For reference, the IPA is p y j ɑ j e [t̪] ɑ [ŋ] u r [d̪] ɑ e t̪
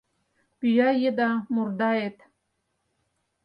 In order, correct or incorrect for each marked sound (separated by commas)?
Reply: incorrect, incorrect, correct